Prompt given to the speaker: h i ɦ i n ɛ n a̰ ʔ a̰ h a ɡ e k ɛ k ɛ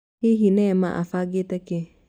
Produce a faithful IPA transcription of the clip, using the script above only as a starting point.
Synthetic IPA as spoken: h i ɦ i n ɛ m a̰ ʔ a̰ f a ɡ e t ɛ k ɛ